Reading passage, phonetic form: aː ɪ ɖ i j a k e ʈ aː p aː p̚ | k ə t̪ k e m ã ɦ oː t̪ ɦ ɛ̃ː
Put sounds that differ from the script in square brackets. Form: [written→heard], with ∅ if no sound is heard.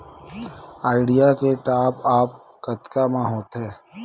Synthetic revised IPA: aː ɪ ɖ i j a k e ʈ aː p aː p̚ | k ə t̪ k [e→a] m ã ɦ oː t̪ ɦ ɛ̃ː

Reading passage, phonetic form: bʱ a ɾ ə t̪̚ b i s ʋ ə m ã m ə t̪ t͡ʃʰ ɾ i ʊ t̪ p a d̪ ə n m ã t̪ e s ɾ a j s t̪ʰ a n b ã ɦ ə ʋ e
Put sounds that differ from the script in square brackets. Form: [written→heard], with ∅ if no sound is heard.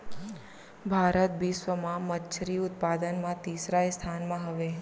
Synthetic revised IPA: bʱ a ɾ ə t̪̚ b i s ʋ ə m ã m ə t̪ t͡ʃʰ ɾ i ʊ t̪ p a d̪ ə n m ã t̪ [e→i] s ɾ a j s t̪ʰ a n [b→m] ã ɦ ə ʋ e

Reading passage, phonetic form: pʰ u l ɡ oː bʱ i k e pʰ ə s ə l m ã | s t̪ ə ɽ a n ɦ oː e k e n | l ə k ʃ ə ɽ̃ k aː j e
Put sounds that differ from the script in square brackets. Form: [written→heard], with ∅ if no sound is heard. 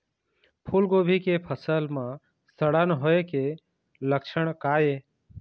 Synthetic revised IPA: pʰ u l ɡ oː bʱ i k e pʰ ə s ə l m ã | s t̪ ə ɽ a n ɦ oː e k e [n→∅] | l ə k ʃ ə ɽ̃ k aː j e

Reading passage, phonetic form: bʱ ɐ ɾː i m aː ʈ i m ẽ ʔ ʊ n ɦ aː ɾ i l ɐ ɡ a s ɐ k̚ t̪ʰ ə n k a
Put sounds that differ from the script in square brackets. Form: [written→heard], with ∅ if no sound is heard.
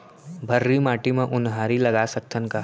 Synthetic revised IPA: bʱ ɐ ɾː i m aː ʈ i m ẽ ʔ ʊ n ɦ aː ɾ i l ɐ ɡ a s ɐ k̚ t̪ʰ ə n k a

